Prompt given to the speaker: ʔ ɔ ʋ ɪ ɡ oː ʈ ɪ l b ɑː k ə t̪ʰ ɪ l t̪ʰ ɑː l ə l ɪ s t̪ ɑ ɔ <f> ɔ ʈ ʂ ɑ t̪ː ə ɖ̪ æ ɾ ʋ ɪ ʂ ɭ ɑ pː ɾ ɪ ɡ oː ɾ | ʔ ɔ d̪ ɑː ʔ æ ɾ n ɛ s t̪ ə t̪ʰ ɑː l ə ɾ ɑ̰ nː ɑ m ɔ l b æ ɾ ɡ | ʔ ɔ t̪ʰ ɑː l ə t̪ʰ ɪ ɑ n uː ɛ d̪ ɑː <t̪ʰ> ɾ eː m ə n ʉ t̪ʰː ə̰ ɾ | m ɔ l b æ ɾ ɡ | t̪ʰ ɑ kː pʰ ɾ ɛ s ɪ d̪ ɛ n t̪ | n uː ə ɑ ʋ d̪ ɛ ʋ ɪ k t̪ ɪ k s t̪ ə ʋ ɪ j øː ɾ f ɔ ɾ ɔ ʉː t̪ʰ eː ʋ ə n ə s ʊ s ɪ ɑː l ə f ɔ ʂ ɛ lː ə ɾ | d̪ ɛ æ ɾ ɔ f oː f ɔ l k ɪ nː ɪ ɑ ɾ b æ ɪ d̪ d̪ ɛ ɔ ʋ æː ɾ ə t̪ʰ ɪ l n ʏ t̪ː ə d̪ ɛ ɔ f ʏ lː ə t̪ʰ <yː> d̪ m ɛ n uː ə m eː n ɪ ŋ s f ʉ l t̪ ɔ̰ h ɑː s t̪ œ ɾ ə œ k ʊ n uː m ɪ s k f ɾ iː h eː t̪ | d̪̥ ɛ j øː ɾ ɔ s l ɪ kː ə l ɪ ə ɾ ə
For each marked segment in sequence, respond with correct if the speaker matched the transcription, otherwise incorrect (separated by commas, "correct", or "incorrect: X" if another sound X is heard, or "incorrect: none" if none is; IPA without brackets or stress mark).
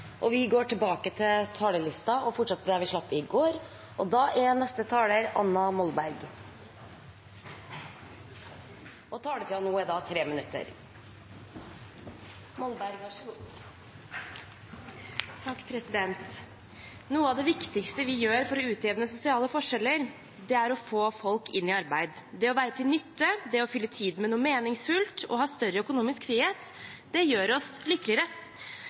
correct, correct, incorrect: iː